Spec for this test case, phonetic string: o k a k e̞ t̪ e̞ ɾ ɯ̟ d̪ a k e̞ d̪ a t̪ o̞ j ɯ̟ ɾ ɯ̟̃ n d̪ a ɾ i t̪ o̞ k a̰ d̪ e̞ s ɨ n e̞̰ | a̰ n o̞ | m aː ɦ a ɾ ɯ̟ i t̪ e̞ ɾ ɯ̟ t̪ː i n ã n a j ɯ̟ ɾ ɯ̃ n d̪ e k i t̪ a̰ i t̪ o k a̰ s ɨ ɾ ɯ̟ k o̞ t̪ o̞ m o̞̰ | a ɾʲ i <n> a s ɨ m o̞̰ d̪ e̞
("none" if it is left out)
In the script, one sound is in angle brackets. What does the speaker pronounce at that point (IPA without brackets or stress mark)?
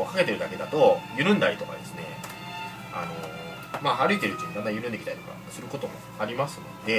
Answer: m